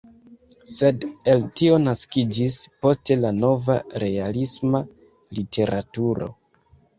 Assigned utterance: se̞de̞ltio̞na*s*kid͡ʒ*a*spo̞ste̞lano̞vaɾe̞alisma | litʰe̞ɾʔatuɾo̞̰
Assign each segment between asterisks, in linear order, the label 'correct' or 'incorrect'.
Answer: correct, incorrect: i

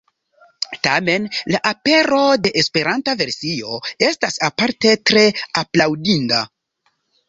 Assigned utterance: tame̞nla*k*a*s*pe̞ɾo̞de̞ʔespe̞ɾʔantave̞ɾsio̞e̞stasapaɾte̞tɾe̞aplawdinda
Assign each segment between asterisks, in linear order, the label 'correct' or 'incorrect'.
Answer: incorrect: ʔ, incorrect: none

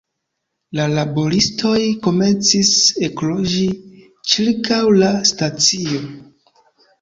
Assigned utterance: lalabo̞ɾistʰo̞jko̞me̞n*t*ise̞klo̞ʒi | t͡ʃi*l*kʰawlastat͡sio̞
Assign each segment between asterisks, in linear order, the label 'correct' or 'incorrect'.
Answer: incorrect: t͡s, incorrect: ɾ

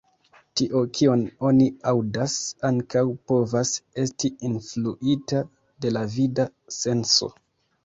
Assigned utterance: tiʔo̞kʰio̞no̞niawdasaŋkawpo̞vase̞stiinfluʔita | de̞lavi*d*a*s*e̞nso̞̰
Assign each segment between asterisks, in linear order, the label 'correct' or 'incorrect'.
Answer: correct, correct

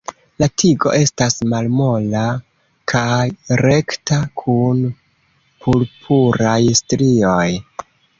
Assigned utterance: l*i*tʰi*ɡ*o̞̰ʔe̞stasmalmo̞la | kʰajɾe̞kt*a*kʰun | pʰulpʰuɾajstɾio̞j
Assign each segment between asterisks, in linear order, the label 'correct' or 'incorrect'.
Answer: incorrect: a, correct, correct

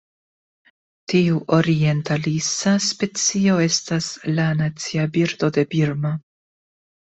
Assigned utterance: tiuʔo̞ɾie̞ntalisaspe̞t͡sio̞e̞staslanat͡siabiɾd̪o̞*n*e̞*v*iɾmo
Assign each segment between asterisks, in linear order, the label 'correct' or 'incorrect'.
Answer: incorrect: d, incorrect: b

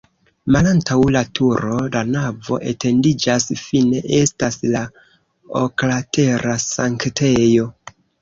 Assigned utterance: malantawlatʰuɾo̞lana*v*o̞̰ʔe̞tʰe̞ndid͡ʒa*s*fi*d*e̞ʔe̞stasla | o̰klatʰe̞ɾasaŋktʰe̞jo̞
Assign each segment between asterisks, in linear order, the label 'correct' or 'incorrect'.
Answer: correct, correct, incorrect: n

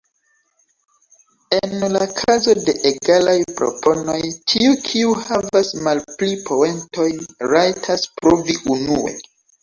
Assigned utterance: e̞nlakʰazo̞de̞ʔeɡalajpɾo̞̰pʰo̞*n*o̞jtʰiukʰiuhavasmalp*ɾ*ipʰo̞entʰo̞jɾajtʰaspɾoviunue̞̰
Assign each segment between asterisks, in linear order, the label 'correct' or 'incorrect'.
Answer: correct, incorrect: l

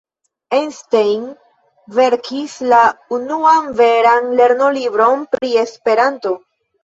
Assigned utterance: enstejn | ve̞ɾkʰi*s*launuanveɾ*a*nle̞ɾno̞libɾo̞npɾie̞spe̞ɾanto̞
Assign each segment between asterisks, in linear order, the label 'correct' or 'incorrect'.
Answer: correct, correct

